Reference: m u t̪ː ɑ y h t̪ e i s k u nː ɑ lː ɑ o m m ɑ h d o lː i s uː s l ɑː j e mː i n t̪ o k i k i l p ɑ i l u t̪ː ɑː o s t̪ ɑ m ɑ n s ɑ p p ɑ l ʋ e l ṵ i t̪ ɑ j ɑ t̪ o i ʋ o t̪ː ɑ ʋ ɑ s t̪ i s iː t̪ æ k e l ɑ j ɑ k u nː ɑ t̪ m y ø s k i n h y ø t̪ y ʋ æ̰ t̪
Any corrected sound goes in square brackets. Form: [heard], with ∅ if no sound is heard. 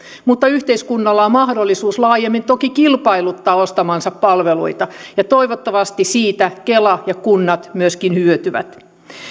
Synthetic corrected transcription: m u t̪ː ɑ y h t̪ e i s k u nː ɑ lː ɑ o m m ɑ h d o lː i s uː s l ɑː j e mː i n t̪ o k i k i l p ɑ i l u t̪ː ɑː o s t̪ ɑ m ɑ n s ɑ p p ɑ l ʋ e l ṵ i t̪ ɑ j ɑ t̪ o i ʋ o t̪ː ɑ ʋ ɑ s t̪ i s iː t̪ æ k e l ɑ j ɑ k u nː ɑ t̪ m y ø s k i n h y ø t̪ y ʋ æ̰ t̪